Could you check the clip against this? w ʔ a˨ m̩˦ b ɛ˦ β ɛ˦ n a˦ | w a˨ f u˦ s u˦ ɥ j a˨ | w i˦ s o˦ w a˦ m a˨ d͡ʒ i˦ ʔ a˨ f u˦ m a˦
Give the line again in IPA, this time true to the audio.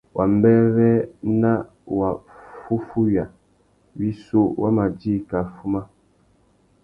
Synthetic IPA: w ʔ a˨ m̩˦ b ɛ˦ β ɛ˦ n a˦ | w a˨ f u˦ f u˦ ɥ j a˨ | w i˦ s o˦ w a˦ m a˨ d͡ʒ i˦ k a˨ f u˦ m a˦

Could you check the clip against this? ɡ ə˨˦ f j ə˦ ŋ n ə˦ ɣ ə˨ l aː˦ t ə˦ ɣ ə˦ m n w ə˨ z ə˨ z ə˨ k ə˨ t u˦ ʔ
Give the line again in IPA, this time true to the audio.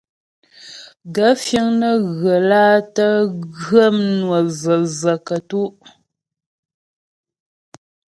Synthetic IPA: ɡ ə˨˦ f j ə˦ ŋ n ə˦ ɣ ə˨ l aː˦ t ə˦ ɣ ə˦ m n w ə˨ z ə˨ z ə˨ k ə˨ t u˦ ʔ

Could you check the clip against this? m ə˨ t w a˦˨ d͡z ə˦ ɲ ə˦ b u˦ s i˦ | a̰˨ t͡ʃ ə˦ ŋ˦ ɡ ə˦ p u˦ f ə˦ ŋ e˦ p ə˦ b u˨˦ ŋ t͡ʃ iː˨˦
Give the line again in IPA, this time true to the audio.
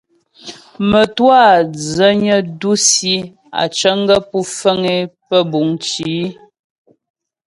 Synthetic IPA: m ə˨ t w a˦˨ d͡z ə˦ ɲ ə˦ d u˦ s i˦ | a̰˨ t͡ʃ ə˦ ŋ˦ ɡ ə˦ p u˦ f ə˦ ŋ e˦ p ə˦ b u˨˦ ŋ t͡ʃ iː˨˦

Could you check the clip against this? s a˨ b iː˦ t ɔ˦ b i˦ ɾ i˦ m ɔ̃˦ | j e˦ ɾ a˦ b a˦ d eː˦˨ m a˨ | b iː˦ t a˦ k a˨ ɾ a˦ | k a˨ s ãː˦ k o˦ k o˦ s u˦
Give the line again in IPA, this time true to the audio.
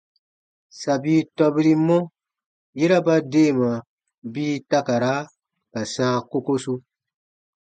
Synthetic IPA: s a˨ b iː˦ t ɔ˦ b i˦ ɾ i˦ m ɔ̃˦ | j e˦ ɾ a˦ b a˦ d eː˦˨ m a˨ | b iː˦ t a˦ k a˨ ɾ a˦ | k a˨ s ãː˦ k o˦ k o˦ s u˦

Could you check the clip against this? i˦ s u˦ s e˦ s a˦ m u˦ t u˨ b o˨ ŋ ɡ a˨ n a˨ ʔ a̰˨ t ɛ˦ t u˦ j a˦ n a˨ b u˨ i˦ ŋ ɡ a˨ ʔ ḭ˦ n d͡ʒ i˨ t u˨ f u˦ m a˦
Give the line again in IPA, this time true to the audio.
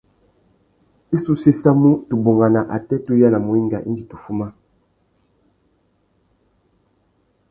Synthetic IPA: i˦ s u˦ s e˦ s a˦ m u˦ t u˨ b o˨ ŋ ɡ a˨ n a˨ ʔ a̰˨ t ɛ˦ t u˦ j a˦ n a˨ m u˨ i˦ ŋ ɡ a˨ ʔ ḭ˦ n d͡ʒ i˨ t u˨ f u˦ m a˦

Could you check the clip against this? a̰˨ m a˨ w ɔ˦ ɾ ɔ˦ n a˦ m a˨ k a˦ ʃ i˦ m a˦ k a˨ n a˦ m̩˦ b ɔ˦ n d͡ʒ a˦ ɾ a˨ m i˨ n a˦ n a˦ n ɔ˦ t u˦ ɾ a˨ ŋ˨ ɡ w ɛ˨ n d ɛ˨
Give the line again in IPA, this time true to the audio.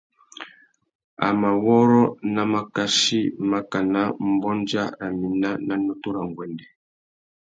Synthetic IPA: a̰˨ m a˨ w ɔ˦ ɾ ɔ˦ n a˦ m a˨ k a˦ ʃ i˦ m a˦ k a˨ n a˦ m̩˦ b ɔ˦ n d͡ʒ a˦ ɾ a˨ m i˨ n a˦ n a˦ n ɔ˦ t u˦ ɾ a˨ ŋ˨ ɡ w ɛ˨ n d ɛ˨

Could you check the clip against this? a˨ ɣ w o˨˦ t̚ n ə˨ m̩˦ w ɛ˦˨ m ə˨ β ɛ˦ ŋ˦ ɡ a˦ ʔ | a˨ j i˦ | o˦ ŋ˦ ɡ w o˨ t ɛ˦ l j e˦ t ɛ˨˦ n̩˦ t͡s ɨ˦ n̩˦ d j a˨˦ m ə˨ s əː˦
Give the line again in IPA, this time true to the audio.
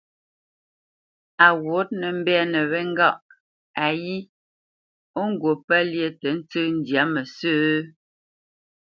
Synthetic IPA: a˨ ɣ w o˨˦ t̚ n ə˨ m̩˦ b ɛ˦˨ n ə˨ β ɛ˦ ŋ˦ ɡ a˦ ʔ | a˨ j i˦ | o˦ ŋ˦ ɡ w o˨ p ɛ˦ l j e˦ t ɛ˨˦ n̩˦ t͡s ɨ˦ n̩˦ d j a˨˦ m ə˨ s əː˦

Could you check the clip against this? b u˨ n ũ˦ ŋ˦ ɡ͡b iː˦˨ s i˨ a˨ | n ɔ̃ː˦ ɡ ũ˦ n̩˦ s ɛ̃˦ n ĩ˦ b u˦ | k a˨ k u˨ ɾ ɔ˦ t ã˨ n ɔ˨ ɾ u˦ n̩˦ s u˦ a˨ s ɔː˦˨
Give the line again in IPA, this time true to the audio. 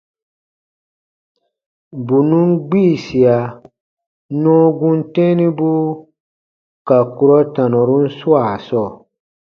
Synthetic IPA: b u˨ n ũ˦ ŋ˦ ɡ͡b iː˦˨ s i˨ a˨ | n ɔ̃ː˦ ɡ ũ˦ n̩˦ t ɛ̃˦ n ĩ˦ b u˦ | k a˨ k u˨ ɾ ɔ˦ t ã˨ n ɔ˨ ɾ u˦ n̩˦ s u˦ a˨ s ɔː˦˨

